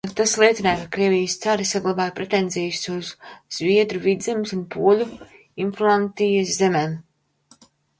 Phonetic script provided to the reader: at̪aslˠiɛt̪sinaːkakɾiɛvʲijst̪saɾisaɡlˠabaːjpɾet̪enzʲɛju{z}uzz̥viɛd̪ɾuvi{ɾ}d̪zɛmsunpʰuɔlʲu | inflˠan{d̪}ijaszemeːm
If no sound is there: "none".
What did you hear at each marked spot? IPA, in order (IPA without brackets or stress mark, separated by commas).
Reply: s, none, t̪